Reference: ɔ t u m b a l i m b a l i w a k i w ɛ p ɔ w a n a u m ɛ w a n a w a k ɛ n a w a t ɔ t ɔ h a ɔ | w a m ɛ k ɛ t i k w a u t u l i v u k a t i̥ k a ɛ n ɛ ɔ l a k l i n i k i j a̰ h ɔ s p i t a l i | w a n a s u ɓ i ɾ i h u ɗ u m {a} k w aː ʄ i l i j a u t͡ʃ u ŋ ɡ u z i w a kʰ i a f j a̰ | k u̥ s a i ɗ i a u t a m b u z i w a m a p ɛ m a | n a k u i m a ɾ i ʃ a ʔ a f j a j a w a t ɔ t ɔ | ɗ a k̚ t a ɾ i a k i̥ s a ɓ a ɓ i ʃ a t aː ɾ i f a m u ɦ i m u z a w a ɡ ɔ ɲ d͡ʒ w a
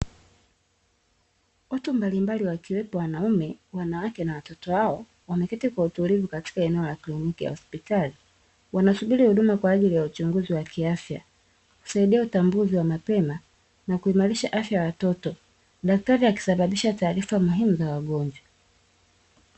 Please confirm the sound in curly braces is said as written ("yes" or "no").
yes